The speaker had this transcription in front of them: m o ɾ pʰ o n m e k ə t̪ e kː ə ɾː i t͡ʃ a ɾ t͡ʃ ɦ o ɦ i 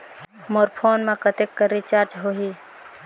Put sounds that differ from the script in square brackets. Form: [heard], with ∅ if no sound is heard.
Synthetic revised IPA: m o ɾ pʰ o n m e k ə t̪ e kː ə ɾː i t͡ʃ a ɾ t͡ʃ ɦ o ɦ i